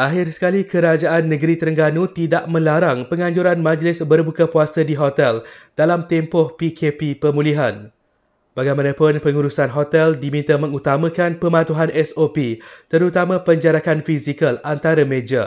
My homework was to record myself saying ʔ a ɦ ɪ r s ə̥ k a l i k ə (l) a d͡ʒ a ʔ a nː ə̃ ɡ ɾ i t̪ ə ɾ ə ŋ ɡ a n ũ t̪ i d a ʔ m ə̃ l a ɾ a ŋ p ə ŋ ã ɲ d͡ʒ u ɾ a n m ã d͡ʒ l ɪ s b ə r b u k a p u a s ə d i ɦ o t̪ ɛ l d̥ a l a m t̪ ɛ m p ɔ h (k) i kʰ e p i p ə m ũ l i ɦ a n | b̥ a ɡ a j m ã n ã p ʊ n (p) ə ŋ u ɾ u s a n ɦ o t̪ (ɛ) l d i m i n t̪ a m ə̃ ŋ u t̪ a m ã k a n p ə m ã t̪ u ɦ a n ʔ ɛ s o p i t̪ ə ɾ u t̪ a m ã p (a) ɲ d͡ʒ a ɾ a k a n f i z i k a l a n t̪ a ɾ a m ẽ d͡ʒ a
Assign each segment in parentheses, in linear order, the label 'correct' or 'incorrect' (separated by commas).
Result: incorrect, incorrect, correct, correct, incorrect